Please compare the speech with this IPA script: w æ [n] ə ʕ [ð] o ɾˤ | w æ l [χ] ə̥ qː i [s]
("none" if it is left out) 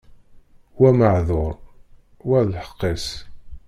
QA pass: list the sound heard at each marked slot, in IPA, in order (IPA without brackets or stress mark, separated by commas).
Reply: m, ð, ħ, s